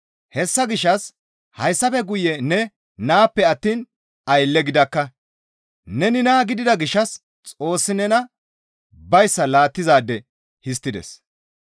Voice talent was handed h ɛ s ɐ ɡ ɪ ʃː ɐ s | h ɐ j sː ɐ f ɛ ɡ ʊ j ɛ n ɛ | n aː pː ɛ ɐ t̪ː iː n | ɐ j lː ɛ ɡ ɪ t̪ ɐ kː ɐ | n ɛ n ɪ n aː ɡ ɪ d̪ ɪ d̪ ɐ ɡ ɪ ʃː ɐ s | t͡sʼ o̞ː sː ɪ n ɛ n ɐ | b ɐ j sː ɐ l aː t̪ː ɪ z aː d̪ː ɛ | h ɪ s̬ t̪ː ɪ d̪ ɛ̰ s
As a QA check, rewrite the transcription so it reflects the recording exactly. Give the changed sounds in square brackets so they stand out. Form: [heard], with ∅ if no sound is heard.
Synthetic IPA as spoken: h ɛ [sː] ɐ ɡ ɪ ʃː ɐ s | h ɐ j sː ɐ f ɛ ɡ ʊ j ɛ n ɛ | n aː pː ɛ ɐ t̪ː iː n | ɐ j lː ɛ ɡ ɪ [d̪] ɐ kː ɐ | n ɛ n ɪ n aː ɡ ɪ d̪ ɪ d̪ ɐ ɡ ɪ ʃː ɐ s | t͡sʼ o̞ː sː ɪ n ɛ n ɐ | b ɐ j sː ɐ l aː t̪ː ɪ z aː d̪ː ɛ | h ɪ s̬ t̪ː ɪ d̪ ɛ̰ s